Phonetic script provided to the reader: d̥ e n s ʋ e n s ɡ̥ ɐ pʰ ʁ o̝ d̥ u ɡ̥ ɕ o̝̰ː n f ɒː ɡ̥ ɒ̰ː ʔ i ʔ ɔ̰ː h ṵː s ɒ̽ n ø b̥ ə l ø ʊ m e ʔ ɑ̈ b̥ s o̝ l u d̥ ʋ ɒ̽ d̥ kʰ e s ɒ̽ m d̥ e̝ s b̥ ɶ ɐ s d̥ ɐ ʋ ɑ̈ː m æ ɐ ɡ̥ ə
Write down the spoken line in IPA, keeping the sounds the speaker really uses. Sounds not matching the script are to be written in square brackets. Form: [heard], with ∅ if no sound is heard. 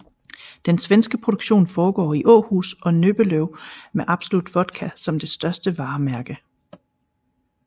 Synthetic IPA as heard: d̥ e n s ʋ e n s ɡ̥ [ə] pʰ ʁ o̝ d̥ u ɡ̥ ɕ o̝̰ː n f ɒː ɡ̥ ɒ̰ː [∅] i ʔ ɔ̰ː h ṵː s ɒ̽ n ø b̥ ə l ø ʊ m e ʔ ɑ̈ b̥ s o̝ l u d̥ ʋ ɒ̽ d̥ kʰ [æ] s ɒ̽ m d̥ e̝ s [d̥] ɶ ɐ s d̥ [ə] ʋ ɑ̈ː m æ ɐ ɡ̥ ə

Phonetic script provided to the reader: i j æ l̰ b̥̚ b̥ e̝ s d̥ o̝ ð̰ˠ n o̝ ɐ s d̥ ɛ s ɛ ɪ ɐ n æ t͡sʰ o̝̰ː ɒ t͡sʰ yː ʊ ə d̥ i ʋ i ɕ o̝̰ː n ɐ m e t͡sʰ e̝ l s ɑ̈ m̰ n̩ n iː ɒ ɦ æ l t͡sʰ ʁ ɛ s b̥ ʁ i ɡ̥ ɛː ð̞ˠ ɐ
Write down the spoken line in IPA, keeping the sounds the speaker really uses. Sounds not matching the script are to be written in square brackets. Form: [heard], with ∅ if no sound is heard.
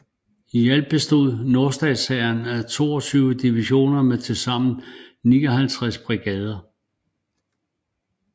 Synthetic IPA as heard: i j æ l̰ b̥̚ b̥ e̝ s d̥ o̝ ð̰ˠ n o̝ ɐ s d̥ ɛ s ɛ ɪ ɐ n æ t͡sʰ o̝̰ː ɒ t͡sʰ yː ʊ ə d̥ i ʋ i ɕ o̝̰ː n ɐ m e t͡sʰ e̝ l s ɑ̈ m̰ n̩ n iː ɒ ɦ æ l t͡sʰ ʁ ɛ s b̥ ʁ i ɡ̥ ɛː ð̞ˠ ɐ

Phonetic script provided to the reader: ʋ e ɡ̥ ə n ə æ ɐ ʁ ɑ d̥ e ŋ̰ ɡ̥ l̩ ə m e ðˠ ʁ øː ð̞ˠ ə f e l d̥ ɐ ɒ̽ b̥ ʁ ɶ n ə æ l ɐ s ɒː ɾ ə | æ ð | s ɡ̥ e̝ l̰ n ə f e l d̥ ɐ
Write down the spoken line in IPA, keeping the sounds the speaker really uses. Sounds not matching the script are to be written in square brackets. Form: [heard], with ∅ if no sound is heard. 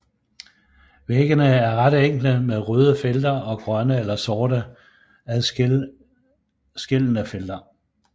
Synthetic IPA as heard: ʋ e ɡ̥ ə n ə æ ɐ ʁ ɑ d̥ e ŋ̰ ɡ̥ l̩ ə m e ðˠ ʁ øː ð̞ˠ ə f e l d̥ ɐ ɒ̽ [ɡ̥] ʁ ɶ n ə [e] l ɐ s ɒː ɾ ə | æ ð | s ɡ̥ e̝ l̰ n ə f e l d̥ ɐ

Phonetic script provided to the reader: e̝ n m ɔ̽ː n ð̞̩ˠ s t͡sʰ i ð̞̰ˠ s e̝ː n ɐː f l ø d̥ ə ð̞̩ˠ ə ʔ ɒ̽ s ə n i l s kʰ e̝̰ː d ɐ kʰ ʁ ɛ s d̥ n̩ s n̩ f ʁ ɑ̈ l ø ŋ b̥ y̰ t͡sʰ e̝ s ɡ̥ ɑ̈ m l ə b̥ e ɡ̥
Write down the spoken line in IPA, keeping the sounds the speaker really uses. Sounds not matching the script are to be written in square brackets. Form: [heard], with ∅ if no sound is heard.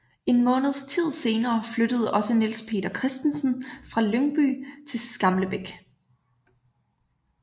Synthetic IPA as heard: e̝ n m ɔ̽ː n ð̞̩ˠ s t͡sʰ i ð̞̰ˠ s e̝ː n ɐː f l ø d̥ ə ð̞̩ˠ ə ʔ ɒ̽ s ə n i l s [pʰ] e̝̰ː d ɐ kʰ ʁ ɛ s d̥ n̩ s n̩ f ʁ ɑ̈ l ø ŋ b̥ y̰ t͡sʰ e̝ s ɡ̥ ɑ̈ m l ə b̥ e ɡ̥

